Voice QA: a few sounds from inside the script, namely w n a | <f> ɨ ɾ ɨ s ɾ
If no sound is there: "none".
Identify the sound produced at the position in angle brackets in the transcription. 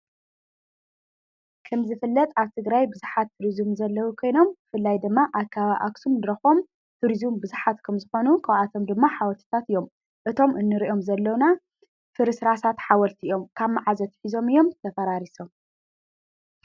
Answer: f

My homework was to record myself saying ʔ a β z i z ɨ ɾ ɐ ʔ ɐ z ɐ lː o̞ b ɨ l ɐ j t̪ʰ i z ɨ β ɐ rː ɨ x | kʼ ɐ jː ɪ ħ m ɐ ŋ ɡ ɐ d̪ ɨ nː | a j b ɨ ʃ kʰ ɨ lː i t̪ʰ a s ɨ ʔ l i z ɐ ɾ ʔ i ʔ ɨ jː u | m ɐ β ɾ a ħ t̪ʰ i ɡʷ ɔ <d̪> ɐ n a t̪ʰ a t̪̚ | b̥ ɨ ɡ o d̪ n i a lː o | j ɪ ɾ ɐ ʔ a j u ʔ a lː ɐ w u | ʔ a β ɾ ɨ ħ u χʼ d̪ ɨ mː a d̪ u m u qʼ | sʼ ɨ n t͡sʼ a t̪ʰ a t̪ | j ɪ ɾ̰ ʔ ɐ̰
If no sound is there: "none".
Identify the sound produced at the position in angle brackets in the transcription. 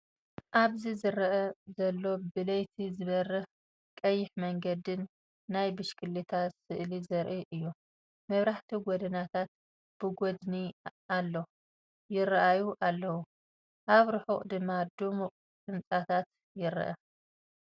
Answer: d̪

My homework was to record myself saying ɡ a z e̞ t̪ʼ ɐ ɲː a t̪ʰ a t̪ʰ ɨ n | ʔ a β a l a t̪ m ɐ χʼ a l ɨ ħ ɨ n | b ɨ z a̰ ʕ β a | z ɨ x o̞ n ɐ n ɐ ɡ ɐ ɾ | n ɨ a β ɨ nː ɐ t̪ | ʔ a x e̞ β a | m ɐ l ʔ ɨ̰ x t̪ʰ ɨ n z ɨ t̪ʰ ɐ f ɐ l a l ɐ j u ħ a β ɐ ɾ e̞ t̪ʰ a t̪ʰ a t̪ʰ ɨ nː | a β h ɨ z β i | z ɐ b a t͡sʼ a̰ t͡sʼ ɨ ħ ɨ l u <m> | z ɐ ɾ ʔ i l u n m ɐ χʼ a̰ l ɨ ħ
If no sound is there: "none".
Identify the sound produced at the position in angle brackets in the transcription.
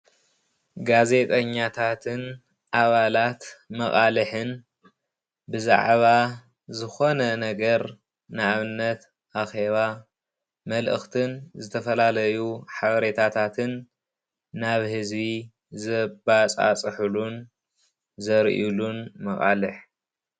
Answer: n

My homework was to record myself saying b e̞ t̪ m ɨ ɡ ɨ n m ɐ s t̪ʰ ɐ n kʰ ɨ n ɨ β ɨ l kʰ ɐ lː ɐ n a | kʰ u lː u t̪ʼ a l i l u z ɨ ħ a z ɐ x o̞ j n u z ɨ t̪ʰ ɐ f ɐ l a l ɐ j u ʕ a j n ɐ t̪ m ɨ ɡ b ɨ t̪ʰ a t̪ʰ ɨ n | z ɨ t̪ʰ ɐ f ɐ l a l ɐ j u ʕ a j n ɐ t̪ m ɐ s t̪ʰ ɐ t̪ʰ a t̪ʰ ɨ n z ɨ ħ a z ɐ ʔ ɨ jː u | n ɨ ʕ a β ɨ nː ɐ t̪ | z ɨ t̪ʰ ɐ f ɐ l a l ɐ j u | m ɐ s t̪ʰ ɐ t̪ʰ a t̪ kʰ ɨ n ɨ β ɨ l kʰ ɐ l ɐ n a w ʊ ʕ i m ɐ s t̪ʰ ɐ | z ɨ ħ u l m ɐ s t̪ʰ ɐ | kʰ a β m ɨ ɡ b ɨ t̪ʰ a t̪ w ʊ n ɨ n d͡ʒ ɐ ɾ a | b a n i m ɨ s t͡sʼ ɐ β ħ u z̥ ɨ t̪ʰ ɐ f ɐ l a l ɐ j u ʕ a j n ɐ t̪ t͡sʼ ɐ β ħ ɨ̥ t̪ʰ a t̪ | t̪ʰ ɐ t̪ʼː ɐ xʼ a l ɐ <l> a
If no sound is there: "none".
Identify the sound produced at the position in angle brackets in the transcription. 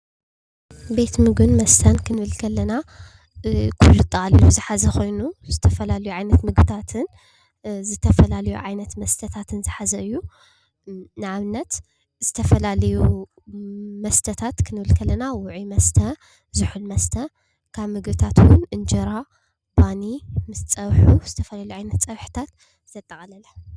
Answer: l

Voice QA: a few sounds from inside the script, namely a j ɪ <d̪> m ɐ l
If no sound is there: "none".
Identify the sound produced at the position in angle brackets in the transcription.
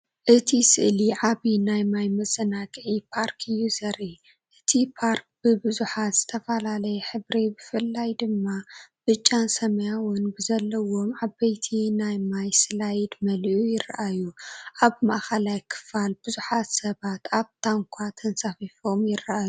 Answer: d̪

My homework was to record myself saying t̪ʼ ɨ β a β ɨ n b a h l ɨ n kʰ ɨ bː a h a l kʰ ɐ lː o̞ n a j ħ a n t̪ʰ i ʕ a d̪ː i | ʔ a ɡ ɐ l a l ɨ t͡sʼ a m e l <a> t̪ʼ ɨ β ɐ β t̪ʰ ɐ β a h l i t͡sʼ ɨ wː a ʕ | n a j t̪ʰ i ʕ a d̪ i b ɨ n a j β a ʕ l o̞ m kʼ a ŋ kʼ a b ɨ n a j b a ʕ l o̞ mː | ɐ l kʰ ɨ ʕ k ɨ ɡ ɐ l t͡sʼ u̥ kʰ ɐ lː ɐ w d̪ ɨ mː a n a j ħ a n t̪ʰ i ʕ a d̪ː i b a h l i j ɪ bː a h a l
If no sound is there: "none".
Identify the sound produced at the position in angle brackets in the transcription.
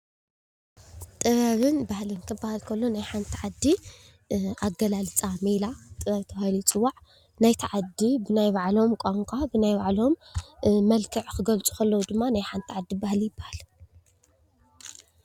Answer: a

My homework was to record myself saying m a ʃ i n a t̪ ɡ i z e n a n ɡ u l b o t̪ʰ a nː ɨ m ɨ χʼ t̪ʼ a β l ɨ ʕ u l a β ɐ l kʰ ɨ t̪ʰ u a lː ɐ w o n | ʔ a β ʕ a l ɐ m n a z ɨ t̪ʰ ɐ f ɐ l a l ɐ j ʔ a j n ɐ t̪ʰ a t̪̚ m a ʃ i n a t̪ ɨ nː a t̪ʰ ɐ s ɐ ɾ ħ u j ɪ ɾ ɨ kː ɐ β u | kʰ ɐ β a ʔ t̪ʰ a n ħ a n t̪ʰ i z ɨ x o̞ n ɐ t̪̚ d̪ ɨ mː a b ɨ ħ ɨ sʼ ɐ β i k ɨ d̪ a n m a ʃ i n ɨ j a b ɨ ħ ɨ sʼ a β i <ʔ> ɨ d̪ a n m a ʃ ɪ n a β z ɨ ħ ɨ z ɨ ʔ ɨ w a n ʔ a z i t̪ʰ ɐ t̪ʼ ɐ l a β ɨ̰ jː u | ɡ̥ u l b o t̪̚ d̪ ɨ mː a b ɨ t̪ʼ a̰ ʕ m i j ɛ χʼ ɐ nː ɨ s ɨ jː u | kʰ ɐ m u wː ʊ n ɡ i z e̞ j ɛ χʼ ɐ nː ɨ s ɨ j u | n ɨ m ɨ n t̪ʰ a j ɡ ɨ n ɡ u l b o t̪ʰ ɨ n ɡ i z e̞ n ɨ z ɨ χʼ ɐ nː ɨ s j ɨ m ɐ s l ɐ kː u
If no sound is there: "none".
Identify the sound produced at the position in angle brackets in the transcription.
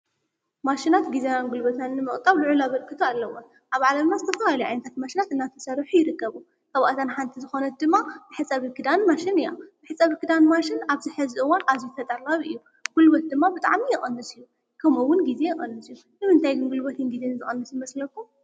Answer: k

